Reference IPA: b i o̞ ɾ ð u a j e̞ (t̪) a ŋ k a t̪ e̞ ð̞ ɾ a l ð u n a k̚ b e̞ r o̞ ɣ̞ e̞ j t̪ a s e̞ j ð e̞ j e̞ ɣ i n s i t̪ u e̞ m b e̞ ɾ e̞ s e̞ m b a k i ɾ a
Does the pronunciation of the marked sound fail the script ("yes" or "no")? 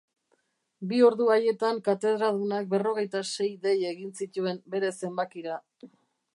no